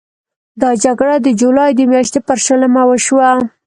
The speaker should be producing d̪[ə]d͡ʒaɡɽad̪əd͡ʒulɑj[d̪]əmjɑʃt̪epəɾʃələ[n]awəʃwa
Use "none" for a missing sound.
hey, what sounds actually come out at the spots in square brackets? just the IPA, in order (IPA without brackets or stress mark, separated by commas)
ɑ, d̪, m